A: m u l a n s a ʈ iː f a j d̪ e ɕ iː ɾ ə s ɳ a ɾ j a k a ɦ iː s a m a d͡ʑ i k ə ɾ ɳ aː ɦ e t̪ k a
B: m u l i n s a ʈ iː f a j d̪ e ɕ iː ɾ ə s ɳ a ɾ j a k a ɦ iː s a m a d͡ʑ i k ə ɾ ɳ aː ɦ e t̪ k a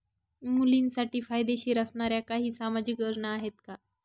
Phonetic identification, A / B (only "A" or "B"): B